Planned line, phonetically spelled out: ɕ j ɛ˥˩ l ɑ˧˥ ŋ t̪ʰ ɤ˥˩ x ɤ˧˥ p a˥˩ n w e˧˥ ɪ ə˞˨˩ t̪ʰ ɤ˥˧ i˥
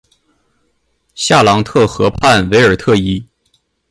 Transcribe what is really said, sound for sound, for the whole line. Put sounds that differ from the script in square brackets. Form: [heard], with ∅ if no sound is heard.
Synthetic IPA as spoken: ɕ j [a˥˩] l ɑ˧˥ ŋ t̪ʰ ɤ˥˩ x ɤ˧˥ [pʰ] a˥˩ n w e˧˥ ɪ ə˞˨˩ t̪ʰ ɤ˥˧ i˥